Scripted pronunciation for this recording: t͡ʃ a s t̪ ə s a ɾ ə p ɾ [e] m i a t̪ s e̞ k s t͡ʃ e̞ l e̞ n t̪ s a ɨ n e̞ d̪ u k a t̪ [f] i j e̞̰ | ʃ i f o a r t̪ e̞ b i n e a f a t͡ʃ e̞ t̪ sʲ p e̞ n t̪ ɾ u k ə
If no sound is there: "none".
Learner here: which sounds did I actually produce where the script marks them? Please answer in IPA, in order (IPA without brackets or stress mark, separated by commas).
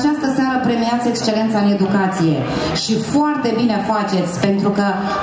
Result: e, s